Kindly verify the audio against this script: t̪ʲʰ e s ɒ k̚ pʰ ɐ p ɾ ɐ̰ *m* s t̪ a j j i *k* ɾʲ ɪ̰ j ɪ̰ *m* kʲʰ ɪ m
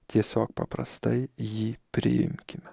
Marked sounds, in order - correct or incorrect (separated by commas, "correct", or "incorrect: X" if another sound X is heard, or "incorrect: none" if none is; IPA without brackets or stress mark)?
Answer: incorrect: none, incorrect: p, correct